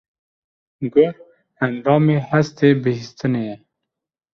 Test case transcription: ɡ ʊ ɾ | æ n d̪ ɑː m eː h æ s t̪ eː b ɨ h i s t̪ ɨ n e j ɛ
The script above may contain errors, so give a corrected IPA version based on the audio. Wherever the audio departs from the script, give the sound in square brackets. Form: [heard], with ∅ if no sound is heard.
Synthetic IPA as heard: ɡ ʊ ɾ | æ n d̪ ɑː m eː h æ s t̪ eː b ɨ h i s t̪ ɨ n e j ɛ